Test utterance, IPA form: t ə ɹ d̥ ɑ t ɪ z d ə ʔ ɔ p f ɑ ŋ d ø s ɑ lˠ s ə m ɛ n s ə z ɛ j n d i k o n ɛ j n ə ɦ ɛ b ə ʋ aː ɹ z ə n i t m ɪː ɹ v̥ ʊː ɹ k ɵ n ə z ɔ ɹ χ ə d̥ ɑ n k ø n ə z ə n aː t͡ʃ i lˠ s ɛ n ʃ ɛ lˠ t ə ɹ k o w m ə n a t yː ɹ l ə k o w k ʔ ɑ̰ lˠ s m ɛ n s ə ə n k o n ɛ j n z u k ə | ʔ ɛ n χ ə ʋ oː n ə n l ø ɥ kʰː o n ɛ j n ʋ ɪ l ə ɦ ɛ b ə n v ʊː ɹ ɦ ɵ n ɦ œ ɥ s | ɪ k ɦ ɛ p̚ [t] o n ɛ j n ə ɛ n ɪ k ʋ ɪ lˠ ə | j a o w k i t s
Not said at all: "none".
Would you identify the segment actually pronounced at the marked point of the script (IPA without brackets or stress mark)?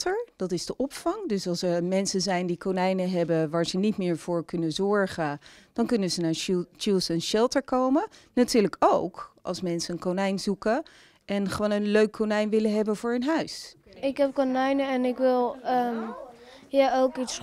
k